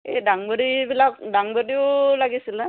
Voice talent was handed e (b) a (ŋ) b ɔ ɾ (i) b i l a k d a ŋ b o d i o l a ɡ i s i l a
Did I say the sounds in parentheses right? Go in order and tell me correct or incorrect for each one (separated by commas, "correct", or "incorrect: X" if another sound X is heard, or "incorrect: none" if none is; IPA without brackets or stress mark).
incorrect: d, correct, correct